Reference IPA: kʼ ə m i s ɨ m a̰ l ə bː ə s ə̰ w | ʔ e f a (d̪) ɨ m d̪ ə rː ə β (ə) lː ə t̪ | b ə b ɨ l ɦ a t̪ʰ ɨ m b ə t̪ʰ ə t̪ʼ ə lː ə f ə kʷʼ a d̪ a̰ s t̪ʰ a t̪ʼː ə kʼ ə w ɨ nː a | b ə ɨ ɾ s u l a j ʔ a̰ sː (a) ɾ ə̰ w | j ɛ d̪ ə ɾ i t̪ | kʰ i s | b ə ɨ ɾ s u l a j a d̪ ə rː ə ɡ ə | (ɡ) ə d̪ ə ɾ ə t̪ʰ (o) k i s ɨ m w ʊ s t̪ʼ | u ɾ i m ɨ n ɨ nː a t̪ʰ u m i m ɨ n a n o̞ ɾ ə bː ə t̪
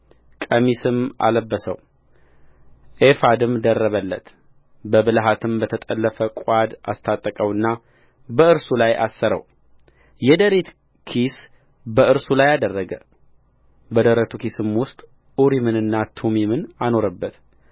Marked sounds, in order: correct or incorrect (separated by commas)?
correct, correct, incorrect, incorrect, incorrect